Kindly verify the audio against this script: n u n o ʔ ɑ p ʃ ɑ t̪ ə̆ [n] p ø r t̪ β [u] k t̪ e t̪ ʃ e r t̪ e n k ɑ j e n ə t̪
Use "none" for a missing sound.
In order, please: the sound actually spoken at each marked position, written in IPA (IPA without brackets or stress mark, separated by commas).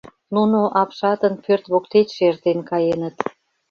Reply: n, o